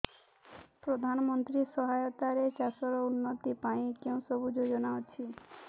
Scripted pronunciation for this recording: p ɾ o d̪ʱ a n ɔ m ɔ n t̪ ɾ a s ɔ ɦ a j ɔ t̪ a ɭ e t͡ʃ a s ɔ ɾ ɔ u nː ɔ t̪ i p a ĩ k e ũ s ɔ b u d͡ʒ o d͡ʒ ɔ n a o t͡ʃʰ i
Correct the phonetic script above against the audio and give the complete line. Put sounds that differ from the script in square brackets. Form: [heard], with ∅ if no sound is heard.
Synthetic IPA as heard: p ɾ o d̪ʱ a n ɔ m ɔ n t̪ ɾ [i] s ɔ ɦ a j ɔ t̪ a [ɾ] e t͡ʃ a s ɔ ɾ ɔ u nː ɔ t̪ i p a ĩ k e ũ s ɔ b u d͡ʒ o d͡ʒ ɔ n a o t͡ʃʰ i

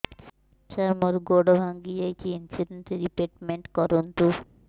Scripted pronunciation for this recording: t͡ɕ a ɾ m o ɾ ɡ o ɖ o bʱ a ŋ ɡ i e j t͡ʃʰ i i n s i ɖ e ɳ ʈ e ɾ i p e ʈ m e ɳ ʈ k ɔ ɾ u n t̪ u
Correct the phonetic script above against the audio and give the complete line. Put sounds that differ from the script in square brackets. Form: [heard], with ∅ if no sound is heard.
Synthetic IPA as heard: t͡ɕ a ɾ m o ɾ ɡ o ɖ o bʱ a ŋ ɡ i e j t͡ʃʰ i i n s i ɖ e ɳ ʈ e ɾ i p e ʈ m e ɳ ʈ k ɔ ɾ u n t̪ u

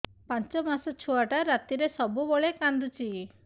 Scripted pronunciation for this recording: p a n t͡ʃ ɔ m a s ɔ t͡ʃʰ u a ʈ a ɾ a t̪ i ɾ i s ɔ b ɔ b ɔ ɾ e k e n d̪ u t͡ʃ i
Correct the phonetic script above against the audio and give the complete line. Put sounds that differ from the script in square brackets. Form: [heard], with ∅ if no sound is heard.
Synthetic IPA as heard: p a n t͡ʃ ɔ m a s ɔ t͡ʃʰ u a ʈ a ɾ a t̪ i ɾ [e] s ɔ b [u] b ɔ [ɭ] e k [a] n d̪ u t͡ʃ i

